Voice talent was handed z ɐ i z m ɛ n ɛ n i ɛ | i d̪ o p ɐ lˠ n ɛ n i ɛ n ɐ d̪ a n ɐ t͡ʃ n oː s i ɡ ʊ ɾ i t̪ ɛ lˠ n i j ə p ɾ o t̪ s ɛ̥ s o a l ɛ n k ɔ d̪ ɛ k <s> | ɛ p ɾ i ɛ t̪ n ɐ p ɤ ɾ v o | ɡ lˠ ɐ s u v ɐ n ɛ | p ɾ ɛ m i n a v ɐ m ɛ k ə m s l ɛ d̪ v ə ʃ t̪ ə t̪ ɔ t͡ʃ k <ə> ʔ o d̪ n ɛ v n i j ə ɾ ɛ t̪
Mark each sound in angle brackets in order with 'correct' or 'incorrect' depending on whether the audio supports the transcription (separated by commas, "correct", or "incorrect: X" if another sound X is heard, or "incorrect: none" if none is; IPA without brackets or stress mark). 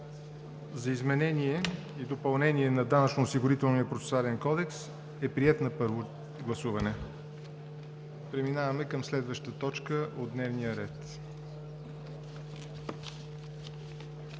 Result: correct, correct